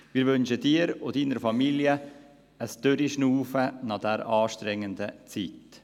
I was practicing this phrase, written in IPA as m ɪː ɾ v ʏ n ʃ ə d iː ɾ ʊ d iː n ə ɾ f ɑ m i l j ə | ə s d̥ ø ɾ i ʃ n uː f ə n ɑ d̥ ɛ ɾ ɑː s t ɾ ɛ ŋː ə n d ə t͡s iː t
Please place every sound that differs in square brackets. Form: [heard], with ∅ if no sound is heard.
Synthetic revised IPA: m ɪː ɾ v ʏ n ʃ ə d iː ɾ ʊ d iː n ə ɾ f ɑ m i l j ə | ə s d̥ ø ɾ i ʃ n uː f ə n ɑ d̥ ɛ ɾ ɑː [ʃ] t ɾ ɛ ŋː ə n d ə t͡s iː t